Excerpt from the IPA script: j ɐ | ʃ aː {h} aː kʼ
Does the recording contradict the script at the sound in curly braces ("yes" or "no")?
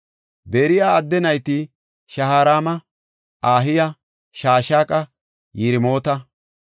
yes